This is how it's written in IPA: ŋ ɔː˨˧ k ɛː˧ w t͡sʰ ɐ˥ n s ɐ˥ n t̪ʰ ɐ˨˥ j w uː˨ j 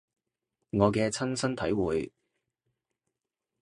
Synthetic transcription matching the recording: ŋ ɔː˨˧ k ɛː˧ t͡sʰ ɐ˥ n s ɐ˥ n t̪ʰ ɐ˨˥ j w uː˨ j